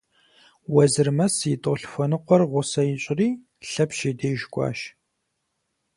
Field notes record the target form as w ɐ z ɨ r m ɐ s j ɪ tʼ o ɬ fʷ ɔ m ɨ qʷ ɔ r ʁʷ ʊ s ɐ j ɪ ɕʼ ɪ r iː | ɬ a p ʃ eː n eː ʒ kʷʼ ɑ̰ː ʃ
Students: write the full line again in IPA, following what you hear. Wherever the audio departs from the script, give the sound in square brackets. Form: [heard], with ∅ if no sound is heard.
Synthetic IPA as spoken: w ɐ z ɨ r m ɐ s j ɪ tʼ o ɬ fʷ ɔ [n] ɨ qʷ ɔ r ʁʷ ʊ s ɐ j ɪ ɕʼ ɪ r iː | ɬ [ɐ] p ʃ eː [d] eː ʒ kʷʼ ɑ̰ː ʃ